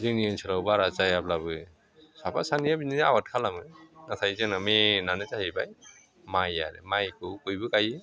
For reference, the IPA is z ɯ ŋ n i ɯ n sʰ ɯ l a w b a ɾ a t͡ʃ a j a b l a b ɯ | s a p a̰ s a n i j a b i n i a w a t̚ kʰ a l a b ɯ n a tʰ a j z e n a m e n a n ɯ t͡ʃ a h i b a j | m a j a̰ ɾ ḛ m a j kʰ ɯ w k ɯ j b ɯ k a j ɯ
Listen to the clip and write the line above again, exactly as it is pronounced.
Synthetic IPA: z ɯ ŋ n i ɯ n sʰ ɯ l a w b a ɾ a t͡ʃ a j a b l a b ɯ | s a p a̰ s a n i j a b i n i a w a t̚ kʰ a l a m ɯ n a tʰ a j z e n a m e n a n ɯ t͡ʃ a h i b a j | m a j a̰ ɾ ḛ m a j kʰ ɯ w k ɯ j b ɯ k a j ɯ